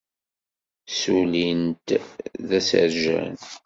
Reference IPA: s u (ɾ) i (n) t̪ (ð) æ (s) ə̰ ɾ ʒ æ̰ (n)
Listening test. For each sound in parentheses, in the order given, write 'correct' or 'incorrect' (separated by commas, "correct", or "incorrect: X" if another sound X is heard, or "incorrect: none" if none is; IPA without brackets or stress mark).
incorrect: l, correct, correct, correct, correct